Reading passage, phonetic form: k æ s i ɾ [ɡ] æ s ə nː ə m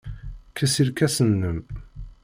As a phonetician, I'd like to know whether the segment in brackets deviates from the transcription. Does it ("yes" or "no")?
yes